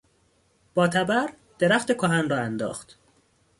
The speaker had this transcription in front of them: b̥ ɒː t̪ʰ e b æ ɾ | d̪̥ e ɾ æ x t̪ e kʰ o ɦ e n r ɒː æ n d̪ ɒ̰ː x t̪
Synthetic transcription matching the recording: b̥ ɒː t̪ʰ æ b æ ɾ | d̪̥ e ɾ æ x t̪ e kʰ o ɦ æ n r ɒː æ n d̪ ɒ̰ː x t̪